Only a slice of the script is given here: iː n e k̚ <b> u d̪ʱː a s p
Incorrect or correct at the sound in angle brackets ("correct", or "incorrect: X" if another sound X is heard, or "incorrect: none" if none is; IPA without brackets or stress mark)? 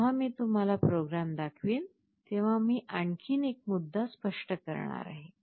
incorrect: m